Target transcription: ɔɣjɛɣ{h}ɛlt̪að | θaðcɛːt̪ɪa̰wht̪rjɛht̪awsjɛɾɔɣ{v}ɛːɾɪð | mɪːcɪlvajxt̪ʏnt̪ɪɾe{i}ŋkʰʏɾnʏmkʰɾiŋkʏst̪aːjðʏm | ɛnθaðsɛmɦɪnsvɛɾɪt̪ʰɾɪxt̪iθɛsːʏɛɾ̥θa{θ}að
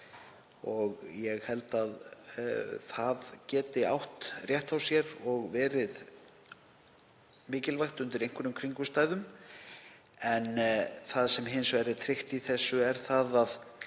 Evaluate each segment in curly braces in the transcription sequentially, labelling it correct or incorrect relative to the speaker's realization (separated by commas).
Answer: correct, correct, incorrect, incorrect